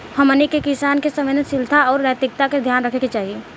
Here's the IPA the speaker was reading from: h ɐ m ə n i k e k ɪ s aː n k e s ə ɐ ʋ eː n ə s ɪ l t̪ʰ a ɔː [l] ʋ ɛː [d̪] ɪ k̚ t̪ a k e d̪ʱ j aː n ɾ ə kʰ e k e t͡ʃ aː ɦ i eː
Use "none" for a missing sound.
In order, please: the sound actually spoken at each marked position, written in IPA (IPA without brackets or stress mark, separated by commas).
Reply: ɾ, t̪